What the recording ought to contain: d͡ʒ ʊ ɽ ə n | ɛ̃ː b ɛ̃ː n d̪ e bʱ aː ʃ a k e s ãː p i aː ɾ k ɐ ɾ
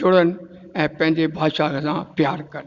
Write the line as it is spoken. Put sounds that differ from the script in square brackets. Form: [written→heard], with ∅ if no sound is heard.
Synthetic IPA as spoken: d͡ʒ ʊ ɽ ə n | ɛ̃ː [b→p] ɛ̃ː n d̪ e bʱ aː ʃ a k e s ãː p [i→j] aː ɾ k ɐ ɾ